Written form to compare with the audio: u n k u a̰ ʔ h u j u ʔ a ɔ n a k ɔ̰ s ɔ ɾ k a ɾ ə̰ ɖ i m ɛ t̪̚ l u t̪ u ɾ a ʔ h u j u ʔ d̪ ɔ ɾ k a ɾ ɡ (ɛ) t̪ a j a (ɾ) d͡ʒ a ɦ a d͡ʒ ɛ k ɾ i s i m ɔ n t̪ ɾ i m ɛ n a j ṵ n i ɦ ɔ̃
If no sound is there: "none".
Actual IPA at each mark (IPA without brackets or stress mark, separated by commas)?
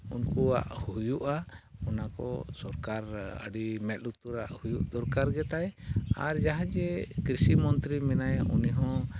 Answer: ɛ, ɾ